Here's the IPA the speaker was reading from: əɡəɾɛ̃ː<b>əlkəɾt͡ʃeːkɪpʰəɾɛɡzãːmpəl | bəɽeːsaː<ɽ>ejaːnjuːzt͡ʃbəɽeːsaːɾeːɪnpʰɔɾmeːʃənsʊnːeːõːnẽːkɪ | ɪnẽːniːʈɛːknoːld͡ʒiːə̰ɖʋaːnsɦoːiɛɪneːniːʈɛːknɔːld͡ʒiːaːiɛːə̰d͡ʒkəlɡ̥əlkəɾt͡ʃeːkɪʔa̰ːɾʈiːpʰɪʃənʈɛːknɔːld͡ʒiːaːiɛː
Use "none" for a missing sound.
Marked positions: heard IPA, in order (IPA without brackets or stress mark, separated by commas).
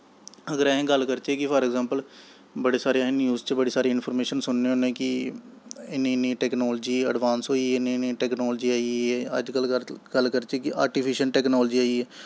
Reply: ɡ, ɾ